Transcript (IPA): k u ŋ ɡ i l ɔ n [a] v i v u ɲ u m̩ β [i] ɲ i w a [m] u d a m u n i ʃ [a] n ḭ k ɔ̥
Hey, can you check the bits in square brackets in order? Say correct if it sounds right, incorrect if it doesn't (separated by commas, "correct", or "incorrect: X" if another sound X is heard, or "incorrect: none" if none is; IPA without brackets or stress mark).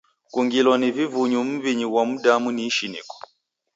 incorrect: i, correct, correct, incorrect: i